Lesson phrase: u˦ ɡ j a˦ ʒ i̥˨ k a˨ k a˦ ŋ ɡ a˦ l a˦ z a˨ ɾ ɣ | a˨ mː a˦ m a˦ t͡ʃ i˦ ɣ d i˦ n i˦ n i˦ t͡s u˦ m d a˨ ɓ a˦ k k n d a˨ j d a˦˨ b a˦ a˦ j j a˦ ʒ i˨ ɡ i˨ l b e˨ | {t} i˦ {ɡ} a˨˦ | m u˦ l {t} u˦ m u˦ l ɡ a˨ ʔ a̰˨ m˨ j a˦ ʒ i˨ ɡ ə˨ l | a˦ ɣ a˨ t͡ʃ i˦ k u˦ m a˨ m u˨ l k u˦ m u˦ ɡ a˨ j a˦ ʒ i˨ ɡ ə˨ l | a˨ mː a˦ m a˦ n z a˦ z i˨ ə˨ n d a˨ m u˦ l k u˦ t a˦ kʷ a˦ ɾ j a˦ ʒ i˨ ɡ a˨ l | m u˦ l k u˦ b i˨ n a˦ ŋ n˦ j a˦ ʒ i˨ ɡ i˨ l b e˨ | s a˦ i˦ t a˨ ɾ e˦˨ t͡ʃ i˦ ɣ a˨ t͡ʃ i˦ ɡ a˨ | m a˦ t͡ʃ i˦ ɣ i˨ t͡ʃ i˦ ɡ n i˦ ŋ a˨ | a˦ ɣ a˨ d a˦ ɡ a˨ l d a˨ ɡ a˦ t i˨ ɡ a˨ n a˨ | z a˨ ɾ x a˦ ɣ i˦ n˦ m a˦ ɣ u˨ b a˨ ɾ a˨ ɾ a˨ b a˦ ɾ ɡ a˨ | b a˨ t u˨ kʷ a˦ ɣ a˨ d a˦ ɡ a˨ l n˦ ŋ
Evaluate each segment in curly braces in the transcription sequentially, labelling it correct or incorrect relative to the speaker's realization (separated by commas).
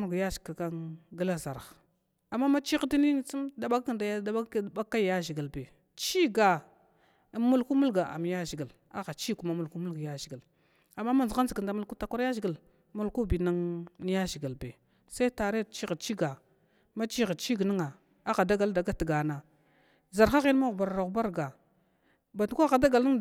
incorrect, correct, incorrect